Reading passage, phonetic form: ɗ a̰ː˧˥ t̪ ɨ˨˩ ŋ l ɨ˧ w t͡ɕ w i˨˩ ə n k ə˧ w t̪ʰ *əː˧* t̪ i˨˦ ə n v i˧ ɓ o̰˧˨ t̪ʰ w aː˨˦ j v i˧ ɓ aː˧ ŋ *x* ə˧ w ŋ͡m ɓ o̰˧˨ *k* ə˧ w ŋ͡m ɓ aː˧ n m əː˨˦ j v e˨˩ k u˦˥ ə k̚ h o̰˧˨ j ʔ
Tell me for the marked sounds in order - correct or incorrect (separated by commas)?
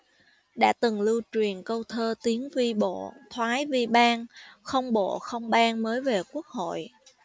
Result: correct, correct, incorrect